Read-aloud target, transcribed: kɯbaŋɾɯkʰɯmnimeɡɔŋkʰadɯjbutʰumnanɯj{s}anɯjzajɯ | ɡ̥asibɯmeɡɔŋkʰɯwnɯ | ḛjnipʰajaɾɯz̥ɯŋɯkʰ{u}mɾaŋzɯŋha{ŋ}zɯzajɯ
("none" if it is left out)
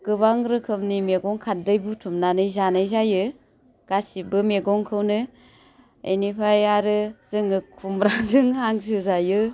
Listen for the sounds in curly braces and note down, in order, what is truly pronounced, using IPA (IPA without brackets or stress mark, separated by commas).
z, u, ŋ